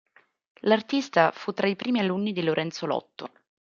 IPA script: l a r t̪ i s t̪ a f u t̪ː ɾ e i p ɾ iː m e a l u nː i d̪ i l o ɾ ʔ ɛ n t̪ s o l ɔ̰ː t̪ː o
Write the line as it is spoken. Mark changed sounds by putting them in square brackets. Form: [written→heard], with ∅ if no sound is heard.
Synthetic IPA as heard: l a r t̪ i s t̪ a f u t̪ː ɾ [e→a] i p ɾ iː m [e→i] a l u nː i d̪ i l o ɾ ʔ ɛ n t̪ s o l [ɔ̰ː→ɔ̰] t̪ː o